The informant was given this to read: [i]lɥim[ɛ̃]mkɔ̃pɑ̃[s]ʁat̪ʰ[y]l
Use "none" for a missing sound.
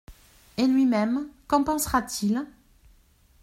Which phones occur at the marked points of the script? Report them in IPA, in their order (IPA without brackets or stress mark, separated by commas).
e, ɛ, s, i